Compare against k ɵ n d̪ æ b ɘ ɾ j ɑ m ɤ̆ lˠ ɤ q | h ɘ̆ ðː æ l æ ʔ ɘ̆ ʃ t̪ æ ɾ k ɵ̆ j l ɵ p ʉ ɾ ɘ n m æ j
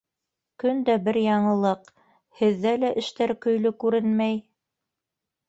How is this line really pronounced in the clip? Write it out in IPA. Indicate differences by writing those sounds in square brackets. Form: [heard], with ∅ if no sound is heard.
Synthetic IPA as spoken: k ɵ n d̪ æ b ɘ ɾ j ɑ [ɴ] ɤ̆ lˠ ɤ q | h ɘ̆ ðː æ l æ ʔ ɘ̆ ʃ t̪ æ ɾ k ɵ̆ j l ɵ [k] ʉ ɾ ɘ n m æ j